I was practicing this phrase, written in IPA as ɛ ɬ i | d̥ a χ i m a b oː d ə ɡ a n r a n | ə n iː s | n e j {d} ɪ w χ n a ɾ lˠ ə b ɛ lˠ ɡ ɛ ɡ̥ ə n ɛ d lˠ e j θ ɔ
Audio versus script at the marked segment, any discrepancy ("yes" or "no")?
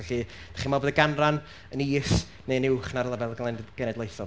yes